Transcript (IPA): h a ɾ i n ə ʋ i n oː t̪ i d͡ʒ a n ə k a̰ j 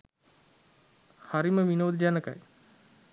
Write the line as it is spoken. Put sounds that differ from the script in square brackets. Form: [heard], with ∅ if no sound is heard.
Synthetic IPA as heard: h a ɾ i [m] ə ʋ i n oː [d̪] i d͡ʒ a n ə k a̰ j